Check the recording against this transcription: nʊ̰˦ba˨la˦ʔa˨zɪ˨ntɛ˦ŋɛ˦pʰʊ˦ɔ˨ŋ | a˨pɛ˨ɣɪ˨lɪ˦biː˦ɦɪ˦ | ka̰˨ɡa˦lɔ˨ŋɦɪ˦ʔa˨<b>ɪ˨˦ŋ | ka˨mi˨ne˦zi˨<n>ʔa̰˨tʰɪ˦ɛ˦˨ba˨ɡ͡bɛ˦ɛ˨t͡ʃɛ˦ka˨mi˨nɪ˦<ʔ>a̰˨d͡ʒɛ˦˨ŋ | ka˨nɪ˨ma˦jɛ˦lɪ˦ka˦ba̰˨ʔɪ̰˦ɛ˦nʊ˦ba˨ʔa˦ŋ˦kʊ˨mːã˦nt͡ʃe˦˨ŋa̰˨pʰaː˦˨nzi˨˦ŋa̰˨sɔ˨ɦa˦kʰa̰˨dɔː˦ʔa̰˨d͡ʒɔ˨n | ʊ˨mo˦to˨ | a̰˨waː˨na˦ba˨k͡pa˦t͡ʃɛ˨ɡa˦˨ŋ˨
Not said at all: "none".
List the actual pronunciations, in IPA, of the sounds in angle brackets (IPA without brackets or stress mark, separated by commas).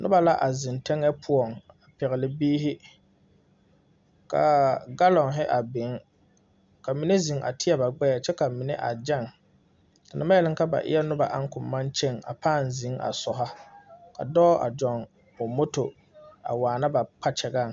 b, ŋ, ʔ